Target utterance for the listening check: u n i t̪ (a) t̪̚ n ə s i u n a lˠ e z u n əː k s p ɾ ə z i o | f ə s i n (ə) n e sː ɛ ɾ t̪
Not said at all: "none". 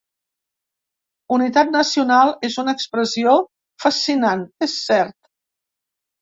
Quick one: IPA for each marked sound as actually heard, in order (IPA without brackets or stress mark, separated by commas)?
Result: a, a